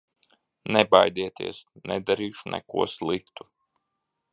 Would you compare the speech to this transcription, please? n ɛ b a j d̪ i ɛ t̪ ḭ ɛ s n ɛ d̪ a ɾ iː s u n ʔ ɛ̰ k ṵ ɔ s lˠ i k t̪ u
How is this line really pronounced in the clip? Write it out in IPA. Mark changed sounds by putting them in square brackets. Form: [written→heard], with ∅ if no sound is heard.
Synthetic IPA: n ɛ b a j d̪ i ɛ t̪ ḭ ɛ s n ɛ d̪ a ɾ iː [s→ʃ] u n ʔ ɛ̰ k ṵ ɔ s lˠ i k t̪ u